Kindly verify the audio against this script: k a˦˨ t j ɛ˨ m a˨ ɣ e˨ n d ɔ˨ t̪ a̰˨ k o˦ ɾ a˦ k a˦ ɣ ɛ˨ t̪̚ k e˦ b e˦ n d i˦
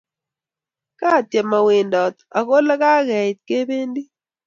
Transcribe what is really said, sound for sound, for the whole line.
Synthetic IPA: k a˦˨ t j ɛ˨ m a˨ w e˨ n d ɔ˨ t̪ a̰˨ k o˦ l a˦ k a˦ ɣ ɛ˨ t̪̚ k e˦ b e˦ n d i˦